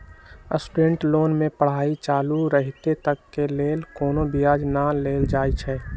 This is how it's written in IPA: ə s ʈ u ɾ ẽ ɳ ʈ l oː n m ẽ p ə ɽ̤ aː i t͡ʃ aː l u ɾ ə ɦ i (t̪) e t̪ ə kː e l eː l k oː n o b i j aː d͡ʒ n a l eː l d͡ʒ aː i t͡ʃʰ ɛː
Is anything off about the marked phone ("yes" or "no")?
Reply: no